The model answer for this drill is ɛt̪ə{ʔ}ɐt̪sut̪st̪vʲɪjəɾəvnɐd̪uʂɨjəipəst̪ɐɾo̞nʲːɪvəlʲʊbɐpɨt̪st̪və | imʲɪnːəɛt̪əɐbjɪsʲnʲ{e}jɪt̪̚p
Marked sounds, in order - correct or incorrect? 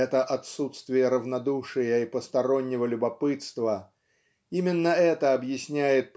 correct, incorrect: æ

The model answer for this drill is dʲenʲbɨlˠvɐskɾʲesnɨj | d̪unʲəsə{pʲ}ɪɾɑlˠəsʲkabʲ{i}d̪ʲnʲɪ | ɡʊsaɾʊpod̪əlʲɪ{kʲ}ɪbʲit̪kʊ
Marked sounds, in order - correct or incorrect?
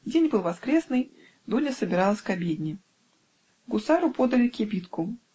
incorrect: bʲ, incorrect: e, correct

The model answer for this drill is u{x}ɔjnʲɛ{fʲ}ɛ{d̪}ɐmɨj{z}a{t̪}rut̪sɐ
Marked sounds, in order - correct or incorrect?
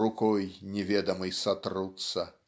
incorrect: k, incorrect: vʲ, correct, incorrect: s, correct

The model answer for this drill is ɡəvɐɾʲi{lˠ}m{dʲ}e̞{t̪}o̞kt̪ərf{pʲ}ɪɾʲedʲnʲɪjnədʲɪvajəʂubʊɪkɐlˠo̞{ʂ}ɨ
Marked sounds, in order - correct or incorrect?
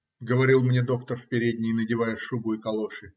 correct, incorrect: nʲ, incorrect: d̪, correct, correct

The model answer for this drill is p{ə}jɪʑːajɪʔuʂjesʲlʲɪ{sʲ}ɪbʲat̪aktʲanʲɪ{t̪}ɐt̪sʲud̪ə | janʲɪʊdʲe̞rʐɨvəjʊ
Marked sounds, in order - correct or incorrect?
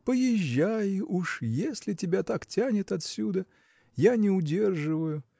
correct, incorrect: tʲ, correct

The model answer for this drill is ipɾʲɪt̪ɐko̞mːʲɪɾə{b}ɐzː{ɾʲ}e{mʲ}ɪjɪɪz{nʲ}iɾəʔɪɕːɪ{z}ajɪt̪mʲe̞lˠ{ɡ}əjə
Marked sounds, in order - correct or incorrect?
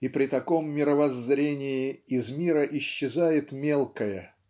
incorrect: v, correct, incorrect: nʲ, incorrect: mʲ, correct, incorrect: k

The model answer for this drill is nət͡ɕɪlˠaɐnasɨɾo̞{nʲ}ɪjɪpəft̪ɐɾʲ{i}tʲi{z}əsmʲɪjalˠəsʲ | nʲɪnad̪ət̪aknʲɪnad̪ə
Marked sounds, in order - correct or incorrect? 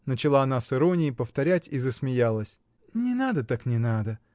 correct, incorrect: æ, correct

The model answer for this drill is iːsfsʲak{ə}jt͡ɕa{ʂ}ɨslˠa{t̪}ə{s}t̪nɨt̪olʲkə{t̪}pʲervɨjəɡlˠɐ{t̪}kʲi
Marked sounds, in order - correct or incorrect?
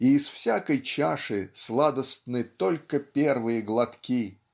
correct, correct, incorrect: d̪, correct, incorrect: none, correct

